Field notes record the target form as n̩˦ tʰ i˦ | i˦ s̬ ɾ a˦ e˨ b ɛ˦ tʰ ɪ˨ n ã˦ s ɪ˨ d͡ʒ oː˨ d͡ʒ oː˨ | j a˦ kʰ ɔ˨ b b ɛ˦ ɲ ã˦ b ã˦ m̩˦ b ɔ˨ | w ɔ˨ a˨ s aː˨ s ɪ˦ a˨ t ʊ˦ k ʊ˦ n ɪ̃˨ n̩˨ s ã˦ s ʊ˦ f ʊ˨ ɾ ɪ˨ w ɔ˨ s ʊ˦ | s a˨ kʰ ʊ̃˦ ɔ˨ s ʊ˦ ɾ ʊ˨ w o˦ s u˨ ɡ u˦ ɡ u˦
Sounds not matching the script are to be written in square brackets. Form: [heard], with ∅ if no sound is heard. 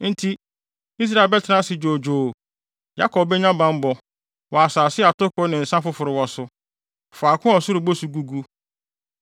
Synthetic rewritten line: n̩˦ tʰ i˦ | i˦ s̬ ɾ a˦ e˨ b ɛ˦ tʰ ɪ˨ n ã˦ s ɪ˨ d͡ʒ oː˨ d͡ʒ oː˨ | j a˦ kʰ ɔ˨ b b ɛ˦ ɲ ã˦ b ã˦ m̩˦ b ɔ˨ | w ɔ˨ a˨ s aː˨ s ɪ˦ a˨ t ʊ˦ k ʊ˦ n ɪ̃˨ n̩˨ s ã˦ [f] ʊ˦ f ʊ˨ ɾ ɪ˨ w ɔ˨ s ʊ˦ | [f] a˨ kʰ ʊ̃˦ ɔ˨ s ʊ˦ ɾ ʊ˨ [b] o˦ s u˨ ɡ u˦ ɡ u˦